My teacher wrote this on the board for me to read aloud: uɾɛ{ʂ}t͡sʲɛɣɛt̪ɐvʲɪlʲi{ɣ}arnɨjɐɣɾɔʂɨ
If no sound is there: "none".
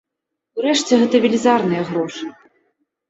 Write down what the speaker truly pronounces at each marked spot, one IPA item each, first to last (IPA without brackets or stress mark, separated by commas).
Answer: ʂ, z